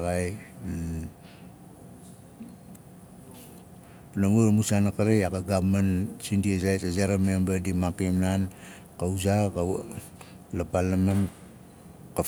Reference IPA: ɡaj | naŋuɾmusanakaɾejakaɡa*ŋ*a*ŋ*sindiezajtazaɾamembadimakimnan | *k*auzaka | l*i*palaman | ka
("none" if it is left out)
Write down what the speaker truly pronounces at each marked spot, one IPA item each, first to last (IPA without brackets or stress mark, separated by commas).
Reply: m, n, k, a